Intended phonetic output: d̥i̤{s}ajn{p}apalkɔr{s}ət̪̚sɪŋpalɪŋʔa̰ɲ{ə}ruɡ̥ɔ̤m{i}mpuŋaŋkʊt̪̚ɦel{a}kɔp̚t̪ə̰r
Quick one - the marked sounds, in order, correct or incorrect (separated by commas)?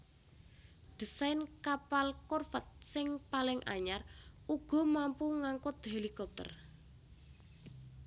correct, incorrect, incorrect, incorrect, incorrect, incorrect